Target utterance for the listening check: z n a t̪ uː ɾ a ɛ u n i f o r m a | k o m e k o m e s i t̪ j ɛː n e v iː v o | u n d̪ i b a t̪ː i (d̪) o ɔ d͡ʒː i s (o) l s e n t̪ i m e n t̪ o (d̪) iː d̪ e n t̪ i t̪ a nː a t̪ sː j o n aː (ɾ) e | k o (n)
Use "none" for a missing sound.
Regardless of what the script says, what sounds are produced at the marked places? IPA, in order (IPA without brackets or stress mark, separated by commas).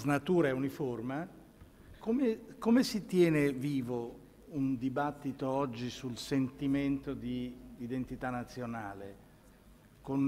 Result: t̪, u, d̪, l, n